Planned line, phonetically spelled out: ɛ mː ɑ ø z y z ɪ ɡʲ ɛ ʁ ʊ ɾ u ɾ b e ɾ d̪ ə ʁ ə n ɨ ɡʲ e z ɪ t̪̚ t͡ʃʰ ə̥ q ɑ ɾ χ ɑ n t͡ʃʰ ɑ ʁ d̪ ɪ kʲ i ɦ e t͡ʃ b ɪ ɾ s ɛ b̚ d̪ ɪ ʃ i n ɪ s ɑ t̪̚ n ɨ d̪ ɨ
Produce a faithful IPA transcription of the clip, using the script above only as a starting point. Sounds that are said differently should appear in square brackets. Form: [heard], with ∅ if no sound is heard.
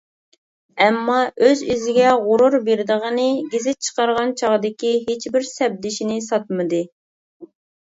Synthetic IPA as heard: ɛ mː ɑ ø z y z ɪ ɡʲ ɛ ʁ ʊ ɾ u ɾ b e ɾ d̪ ə ʁ ə n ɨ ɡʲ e z ɪ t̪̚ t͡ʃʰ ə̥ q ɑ ɾ [ʁ] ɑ n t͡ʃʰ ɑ ʁ d̪ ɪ kʲ i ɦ e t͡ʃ b ɪ ɾ s ɛ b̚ d̪ ɪ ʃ i n ɪ s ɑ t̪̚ [m] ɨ d̪ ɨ